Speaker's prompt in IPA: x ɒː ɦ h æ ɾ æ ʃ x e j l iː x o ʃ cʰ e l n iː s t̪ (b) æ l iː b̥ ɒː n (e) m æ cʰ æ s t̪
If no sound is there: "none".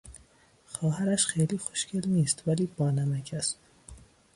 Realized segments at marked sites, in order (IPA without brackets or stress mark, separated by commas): v, æ